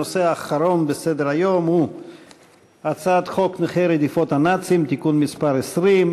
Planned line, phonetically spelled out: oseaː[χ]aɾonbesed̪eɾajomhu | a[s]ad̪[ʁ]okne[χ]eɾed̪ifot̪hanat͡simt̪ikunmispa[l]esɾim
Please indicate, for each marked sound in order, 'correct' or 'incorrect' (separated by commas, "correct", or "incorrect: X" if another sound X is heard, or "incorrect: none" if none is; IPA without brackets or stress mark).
correct, incorrect: t͡s, incorrect: χ, correct, incorrect: ɾ